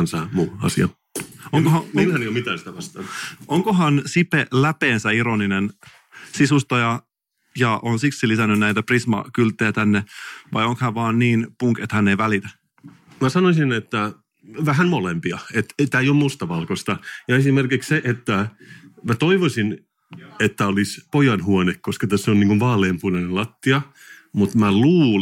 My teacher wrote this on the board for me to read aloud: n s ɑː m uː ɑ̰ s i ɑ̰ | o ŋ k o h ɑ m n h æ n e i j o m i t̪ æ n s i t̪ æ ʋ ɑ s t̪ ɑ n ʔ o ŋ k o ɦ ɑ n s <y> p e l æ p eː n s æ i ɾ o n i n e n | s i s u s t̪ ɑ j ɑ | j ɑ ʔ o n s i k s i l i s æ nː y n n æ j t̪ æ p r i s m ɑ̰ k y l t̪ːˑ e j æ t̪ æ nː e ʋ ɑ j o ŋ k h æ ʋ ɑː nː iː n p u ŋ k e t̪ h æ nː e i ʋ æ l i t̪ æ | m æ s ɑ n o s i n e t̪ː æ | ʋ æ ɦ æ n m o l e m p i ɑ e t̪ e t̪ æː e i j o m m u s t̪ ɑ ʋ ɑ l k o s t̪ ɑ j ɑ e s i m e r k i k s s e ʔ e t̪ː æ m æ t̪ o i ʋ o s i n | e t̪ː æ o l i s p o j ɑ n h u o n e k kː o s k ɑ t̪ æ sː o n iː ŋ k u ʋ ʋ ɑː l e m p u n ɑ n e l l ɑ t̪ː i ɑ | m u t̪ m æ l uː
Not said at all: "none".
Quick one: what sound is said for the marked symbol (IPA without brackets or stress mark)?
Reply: i